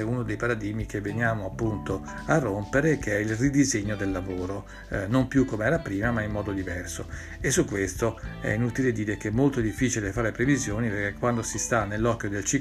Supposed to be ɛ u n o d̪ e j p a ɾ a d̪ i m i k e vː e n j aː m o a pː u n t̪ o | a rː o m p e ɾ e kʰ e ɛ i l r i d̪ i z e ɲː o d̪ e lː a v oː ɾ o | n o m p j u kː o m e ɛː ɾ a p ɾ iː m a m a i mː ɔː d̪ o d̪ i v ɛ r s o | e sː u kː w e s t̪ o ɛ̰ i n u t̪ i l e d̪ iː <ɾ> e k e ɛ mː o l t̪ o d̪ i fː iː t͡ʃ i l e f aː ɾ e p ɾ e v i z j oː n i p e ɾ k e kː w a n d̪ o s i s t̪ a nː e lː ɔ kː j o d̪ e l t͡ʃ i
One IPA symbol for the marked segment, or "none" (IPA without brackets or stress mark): ɾ